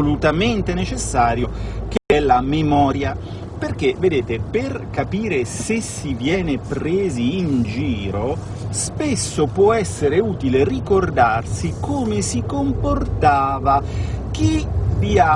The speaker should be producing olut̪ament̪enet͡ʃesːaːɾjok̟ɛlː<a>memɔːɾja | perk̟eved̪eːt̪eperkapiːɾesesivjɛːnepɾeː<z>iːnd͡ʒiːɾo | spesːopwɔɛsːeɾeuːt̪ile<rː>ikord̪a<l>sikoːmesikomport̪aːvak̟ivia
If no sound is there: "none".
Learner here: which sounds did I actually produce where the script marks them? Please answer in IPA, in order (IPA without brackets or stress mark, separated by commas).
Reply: a, z, r, r